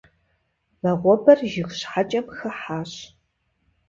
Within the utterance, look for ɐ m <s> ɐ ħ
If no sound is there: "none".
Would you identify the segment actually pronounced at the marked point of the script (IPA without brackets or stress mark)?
x